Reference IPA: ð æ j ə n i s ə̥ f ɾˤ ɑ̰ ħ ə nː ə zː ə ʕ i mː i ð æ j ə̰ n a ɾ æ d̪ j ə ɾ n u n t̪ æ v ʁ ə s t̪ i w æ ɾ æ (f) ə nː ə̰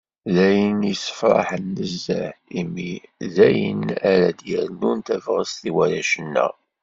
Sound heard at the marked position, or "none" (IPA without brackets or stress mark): ʃ